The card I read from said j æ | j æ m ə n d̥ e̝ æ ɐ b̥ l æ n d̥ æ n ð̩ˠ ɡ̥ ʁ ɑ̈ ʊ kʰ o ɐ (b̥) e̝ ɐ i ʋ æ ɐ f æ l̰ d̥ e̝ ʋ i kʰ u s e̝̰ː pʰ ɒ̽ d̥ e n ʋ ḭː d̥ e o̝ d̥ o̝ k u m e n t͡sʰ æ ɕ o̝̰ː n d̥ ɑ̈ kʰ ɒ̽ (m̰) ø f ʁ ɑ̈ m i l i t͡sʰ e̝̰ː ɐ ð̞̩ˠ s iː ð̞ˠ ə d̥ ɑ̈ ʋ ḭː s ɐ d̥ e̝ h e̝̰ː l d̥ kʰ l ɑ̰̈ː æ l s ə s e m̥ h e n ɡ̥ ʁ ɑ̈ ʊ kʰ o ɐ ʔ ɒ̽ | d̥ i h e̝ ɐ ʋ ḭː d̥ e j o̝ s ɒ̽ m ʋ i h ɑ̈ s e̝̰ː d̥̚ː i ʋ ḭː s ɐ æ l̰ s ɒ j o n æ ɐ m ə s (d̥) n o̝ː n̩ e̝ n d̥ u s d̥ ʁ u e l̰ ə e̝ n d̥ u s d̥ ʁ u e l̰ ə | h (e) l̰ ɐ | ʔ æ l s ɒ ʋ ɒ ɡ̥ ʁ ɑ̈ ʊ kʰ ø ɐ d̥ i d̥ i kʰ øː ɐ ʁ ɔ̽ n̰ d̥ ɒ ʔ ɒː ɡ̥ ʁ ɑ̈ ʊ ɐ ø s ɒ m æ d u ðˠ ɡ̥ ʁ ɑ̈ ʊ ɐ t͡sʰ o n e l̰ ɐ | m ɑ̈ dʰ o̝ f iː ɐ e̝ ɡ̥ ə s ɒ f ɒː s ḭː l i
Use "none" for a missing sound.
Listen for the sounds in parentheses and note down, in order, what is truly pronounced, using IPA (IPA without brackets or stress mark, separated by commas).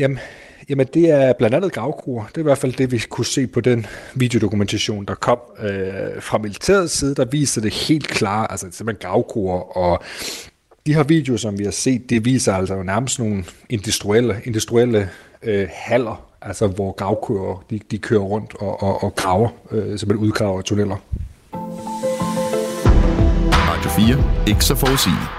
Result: d̥, m̰, d̥, æ